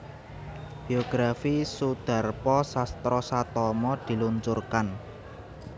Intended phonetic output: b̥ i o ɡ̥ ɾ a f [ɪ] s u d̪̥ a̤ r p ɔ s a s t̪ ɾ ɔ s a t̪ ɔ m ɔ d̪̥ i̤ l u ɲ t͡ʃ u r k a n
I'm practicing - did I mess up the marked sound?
yes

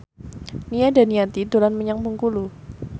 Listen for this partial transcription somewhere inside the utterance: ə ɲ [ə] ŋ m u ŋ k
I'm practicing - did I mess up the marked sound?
yes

